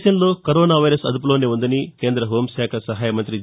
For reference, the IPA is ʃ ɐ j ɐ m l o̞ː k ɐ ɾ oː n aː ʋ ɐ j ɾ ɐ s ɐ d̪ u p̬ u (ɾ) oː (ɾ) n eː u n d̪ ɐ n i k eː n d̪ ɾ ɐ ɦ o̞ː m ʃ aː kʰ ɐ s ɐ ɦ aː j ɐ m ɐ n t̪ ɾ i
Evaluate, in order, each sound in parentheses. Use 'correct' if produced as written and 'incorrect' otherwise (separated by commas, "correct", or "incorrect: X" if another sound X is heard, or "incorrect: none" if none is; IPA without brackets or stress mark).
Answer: incorrect: l, incorrect: none